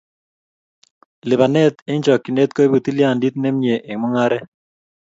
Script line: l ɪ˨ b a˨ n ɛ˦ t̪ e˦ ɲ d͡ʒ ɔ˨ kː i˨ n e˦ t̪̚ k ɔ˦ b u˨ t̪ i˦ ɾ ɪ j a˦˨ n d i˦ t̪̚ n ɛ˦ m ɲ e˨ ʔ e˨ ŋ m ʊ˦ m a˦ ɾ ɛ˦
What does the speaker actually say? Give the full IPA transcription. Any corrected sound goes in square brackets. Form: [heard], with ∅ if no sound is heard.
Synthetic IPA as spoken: l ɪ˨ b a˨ n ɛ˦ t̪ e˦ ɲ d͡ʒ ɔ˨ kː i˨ n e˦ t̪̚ k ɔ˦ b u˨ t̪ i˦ [l] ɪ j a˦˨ n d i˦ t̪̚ n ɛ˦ m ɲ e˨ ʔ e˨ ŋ m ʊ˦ [ŋ] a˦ ɾ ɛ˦